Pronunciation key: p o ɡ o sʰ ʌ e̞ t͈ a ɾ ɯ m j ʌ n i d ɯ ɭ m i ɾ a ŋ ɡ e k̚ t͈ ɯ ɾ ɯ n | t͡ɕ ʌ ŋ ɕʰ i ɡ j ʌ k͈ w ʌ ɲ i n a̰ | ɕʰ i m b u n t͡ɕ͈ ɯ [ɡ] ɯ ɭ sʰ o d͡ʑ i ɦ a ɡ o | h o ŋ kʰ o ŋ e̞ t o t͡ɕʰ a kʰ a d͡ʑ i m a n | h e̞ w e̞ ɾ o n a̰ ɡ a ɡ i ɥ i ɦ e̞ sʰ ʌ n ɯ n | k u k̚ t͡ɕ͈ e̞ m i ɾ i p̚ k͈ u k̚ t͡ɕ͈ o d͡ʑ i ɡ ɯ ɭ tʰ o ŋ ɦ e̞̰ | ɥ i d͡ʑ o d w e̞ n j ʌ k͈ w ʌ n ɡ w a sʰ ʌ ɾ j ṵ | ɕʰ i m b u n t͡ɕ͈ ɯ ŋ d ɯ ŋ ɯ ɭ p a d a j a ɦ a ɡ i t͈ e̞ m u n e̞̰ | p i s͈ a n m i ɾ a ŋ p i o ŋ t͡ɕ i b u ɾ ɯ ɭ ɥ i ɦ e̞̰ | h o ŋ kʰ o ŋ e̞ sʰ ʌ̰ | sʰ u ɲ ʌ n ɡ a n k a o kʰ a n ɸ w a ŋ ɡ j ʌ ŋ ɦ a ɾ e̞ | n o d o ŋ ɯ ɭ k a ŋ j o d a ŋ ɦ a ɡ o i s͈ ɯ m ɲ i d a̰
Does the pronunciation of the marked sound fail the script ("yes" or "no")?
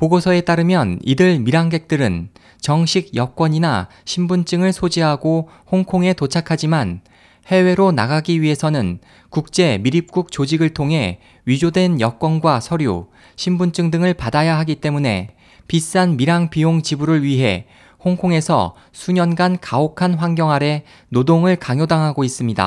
yes